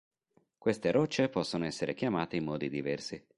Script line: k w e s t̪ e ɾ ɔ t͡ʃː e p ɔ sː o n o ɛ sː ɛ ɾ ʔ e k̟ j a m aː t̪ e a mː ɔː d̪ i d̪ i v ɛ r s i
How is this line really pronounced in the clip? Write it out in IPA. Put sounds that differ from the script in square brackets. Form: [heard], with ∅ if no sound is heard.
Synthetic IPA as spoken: k w e s t̪ e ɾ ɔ t͡ʃː e p ɔ sː o n o ɛ sː [e] ɾ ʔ e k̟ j a m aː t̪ e [i] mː ɔː d̪ i d̪ i v ɛ r s i